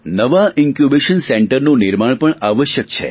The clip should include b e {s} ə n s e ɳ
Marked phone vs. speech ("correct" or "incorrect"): incorrect